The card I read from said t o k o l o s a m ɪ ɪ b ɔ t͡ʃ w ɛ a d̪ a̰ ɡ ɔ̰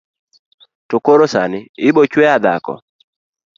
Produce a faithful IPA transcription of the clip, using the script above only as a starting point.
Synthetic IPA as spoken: t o k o ɾ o s a n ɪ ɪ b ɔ t͡ʃ w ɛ a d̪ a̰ k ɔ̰